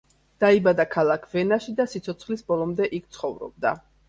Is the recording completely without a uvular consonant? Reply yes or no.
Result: no